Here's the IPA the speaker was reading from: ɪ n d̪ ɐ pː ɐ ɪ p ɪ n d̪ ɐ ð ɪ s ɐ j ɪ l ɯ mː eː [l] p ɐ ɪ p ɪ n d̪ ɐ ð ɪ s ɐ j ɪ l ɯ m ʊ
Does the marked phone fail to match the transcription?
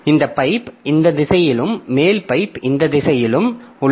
no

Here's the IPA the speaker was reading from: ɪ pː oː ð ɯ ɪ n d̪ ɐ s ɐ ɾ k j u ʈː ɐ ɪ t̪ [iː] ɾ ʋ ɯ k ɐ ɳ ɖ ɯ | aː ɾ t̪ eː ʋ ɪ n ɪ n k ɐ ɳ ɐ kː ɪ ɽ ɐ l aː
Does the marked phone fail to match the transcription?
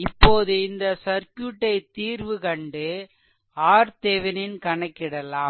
no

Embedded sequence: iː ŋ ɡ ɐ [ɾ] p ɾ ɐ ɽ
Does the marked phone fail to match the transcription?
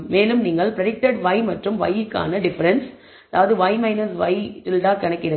yes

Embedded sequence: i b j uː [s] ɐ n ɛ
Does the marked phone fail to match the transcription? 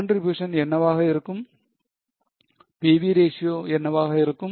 yes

